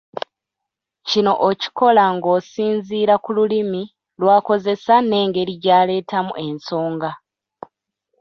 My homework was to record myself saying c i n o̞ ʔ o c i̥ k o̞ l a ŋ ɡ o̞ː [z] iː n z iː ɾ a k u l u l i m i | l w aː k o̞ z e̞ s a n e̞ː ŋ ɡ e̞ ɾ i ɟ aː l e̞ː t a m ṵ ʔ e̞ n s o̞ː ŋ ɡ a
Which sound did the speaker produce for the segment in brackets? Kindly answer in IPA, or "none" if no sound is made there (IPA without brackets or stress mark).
s